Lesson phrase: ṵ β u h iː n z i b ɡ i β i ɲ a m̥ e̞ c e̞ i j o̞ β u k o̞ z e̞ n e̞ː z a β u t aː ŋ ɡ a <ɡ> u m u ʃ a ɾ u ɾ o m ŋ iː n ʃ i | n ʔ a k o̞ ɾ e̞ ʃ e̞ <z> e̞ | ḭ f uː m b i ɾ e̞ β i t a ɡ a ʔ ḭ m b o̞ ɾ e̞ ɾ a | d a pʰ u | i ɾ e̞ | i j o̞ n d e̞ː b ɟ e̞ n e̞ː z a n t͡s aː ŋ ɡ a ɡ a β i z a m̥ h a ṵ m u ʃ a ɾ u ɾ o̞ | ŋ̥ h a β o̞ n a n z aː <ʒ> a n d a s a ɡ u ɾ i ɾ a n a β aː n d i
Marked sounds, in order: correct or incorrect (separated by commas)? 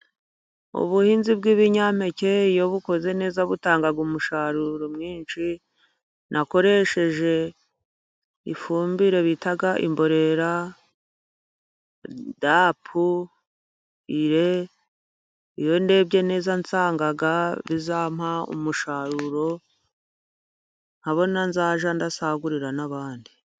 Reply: correct, incorrect, correct